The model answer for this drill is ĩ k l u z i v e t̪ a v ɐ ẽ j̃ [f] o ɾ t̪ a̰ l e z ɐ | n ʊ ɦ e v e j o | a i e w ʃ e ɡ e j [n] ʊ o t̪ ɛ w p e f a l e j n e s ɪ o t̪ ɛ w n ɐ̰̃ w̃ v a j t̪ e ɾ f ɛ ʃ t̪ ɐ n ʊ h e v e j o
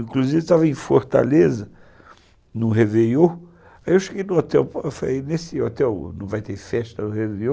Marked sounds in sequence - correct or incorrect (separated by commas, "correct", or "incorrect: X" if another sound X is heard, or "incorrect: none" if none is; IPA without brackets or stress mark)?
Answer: correct, correct